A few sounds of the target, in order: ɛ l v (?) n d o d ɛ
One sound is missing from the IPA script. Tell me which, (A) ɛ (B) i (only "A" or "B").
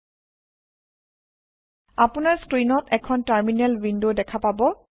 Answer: B